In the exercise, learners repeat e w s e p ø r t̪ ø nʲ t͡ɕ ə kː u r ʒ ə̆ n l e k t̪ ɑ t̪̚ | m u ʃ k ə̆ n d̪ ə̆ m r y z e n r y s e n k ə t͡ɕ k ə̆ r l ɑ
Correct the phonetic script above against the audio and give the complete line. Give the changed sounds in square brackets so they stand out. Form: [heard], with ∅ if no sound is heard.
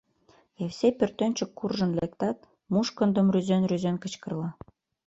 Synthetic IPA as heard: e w s e p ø r t̪ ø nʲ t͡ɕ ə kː u r ʒ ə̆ n l e k t̪ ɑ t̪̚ | m u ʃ k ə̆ n d̪ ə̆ m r y z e n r y [z] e n k ə t͡ɕ k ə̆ r l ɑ